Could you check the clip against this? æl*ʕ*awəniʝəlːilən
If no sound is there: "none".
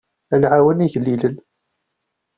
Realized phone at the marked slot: ʕ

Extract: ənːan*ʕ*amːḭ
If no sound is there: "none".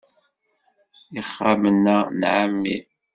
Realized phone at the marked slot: ʕ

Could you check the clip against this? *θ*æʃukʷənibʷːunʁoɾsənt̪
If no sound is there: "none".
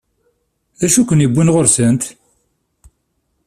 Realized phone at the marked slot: ð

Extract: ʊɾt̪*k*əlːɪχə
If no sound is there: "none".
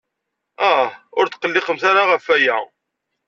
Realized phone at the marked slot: q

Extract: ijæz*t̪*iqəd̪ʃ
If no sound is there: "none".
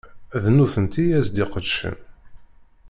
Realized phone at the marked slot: d̪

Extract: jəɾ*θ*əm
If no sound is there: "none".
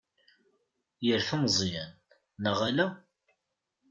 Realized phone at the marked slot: θ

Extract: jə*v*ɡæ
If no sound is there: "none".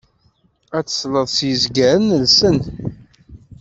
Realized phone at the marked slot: z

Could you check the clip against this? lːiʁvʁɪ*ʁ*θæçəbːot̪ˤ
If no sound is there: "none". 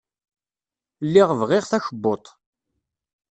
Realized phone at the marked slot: ʁ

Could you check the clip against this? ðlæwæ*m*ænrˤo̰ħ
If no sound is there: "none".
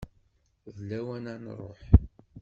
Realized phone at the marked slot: n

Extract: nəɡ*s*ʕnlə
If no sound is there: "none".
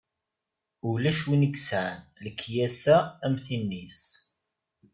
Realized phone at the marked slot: s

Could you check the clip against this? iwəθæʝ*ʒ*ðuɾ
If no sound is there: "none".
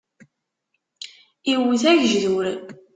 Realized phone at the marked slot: ʒ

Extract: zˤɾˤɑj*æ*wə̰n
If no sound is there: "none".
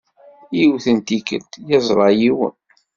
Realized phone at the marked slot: i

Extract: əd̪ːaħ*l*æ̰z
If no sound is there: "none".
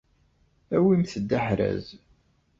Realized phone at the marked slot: ɾ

